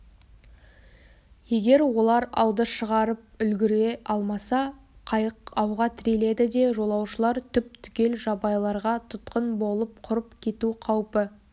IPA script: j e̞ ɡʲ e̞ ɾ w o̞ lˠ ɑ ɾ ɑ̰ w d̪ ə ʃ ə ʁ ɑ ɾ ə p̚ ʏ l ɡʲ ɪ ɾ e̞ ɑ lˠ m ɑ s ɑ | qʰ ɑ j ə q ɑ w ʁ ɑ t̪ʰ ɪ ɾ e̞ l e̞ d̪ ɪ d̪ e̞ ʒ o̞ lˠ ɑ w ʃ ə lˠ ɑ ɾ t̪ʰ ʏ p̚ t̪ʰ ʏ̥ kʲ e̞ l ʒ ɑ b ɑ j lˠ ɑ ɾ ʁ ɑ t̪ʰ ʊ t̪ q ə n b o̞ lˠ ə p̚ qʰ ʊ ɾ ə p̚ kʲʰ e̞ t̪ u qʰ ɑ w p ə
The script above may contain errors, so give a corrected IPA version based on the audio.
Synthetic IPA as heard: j e̞ ɡʲ e̞ ɾ w o̞ lˠ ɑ ɾ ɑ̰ w d̪ ə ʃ ə ʁ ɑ ɾ ə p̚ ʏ l ɡʲ ɪ ɾ e̞ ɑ lˠ m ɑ s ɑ | qʰ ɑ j ə q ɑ w ʁ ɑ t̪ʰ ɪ ɾ e̞ l e̞ d̪ ɪ d̪ e̞ ʒ o̞ lˠ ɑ w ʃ ə lˠ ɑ ɾ t̪ʰ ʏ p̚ t̪ʰ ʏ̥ kʲ e̞ l ʒ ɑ b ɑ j lˠ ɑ ɾ ʁ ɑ t̪ʰ ʊ t̪ q ə n b o̞ lˠ ə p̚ qʰ ʊ ɾ ə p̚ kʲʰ e̞ t̪ u qʰ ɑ w p ə